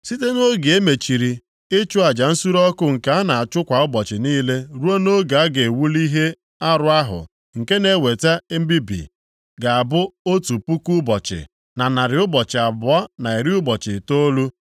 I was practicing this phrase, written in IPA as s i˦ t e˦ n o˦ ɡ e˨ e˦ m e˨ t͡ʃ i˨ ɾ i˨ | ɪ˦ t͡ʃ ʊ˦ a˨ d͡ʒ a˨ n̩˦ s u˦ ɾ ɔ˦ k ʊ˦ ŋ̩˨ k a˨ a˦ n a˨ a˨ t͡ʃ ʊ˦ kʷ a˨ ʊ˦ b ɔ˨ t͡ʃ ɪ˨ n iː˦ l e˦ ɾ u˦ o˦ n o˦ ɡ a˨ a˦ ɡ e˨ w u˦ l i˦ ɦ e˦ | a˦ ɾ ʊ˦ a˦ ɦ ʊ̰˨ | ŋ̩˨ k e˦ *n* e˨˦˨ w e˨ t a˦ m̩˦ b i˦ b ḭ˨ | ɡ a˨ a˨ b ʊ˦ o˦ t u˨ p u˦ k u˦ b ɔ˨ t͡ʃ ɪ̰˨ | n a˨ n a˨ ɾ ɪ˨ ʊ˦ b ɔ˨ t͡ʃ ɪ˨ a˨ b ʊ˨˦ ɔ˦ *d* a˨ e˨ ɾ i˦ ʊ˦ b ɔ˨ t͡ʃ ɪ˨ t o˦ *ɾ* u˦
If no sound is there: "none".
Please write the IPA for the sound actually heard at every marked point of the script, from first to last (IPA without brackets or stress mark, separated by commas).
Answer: n, n, l